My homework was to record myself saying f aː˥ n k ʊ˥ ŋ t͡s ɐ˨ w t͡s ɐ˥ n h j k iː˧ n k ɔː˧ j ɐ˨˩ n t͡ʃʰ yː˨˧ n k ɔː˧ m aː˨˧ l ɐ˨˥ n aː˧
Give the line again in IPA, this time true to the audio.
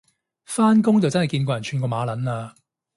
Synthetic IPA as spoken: f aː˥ n k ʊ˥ ŋ t͡s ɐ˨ w t͡s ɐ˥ n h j k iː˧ n k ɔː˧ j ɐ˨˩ n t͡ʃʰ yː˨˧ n k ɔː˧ m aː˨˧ l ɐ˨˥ n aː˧

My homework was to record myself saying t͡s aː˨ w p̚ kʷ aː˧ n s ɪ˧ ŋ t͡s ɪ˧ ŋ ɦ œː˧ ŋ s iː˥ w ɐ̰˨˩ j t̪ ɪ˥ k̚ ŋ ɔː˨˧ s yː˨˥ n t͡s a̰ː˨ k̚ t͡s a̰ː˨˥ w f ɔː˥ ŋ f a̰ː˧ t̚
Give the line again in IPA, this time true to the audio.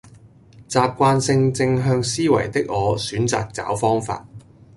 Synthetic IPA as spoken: t͡s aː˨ p̚ kʷ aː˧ n s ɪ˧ ŋ t͡s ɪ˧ ŋ ɦ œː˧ ŋ s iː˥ w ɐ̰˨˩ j t̪ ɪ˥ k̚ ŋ ɔː˨˧ s yː˨˥ n t͡s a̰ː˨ k̚ t͡s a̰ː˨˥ w f ɔː˥ ŋ f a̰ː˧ t̚

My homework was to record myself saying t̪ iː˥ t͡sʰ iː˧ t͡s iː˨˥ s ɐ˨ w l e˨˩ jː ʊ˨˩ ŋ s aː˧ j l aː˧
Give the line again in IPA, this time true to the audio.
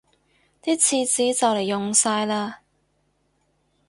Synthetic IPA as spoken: t̪ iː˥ t͡sʰ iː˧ t͡s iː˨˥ t͡s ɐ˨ w l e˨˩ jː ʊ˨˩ ŋ s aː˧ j l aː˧

